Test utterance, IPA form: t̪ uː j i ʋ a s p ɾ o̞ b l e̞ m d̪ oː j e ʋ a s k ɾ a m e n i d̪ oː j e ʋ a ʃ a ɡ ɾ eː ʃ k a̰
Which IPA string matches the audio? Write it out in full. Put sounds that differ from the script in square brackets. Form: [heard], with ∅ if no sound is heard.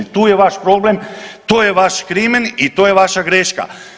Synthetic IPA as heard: t̪ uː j [e] ʋ a [ʃ] p ɾ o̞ b l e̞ m [t̪] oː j e ʋ a [ʃ] k ɾ [i] m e n i [t̪] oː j e ʋ a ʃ a ɡ ɾ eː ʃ k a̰